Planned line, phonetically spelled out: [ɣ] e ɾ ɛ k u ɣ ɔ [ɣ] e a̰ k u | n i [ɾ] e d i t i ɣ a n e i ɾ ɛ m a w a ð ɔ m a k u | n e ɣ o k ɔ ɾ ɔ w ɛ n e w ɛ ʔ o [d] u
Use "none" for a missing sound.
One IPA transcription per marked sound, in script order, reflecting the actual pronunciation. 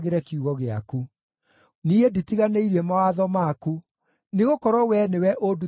ɣ, ɣ, none, d

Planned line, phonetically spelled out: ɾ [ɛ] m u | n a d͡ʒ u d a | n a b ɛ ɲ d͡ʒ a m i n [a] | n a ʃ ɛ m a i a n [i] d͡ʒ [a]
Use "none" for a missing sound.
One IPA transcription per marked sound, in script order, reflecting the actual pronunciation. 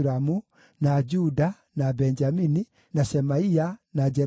a, i, a, ɛ

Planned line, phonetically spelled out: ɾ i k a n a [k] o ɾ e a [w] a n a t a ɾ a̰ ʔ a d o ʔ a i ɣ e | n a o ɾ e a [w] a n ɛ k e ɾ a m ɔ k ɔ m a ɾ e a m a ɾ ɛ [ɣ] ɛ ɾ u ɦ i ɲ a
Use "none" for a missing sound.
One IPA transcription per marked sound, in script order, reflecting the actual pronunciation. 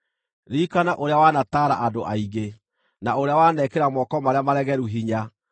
ʔ, w, w, ɣ

